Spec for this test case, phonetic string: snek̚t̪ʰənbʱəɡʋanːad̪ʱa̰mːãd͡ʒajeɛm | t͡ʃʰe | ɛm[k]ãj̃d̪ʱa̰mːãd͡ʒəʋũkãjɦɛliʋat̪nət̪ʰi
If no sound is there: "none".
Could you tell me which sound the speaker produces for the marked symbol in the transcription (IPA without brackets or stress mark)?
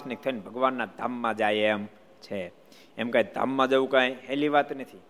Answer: k